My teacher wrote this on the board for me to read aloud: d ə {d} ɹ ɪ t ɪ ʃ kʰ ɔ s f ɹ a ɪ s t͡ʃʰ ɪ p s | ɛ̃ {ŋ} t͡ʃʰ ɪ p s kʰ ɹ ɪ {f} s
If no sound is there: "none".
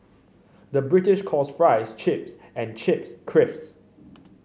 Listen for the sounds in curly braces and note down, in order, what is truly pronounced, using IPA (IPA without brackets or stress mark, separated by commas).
b, n, f